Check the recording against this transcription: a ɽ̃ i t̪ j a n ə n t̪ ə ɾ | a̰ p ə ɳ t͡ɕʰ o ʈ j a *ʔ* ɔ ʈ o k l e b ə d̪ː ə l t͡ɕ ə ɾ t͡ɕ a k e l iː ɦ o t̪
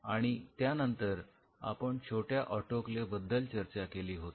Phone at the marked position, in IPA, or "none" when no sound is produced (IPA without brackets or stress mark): ʔ